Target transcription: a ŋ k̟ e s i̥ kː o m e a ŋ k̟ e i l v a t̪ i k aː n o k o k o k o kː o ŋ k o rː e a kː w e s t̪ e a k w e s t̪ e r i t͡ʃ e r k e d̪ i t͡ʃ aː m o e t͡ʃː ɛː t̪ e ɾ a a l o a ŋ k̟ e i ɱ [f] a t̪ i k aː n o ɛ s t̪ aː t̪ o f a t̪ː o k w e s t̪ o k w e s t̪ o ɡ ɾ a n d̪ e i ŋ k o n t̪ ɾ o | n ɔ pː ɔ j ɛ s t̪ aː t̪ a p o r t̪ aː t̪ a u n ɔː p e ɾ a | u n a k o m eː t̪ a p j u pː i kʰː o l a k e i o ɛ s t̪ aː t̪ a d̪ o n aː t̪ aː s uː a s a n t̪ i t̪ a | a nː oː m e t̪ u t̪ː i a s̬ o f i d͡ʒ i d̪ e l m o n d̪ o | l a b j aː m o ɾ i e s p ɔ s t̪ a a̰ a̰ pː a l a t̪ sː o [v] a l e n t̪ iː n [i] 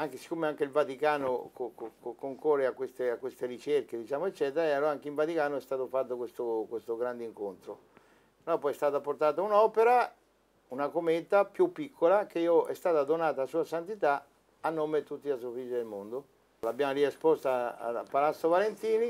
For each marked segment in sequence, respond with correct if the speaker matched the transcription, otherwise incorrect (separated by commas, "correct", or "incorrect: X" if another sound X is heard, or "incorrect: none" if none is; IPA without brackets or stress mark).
incorrect: v, correct, correct